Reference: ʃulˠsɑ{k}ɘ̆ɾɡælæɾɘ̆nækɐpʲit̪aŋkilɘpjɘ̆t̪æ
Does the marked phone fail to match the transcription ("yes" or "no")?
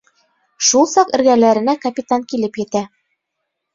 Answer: yes